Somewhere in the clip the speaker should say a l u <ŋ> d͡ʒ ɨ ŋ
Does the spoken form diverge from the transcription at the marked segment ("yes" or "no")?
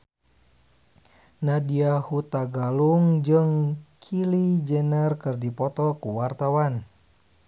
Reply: no